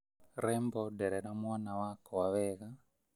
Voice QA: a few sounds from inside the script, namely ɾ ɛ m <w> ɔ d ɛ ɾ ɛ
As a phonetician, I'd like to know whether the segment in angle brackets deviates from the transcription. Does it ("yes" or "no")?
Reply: yes